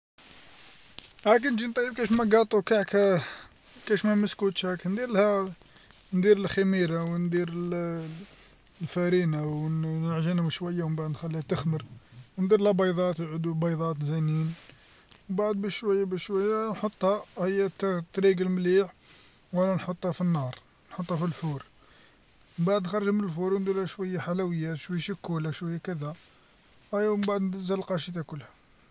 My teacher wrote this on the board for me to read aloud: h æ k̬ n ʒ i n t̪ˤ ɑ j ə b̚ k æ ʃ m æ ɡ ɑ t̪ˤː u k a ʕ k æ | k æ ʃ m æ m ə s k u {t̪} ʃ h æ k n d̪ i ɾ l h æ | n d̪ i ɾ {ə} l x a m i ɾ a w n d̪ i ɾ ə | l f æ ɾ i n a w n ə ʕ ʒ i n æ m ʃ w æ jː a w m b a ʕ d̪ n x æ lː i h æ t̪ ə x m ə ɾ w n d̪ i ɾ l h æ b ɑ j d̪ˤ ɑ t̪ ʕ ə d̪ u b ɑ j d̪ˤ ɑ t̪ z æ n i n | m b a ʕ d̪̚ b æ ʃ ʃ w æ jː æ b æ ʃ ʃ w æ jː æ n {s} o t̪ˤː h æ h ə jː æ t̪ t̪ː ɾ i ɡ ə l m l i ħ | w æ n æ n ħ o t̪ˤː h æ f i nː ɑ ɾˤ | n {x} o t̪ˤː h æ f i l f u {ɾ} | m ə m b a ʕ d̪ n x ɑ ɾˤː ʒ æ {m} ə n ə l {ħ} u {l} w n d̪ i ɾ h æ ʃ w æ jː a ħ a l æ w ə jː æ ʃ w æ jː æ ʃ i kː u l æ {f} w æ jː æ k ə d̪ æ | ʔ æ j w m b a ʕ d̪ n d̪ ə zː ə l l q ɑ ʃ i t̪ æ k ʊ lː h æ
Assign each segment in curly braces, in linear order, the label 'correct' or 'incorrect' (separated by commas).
correct, correct, incorrect, incorrect, correct, correct, incorrect, incorrect, incorrect